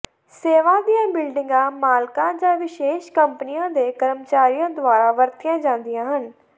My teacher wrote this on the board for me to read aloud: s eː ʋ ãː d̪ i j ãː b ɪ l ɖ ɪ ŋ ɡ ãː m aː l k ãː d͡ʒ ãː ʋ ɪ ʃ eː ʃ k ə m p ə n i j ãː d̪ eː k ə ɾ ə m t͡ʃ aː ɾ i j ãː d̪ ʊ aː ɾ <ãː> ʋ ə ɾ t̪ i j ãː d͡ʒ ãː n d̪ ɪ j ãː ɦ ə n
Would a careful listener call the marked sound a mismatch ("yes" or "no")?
yes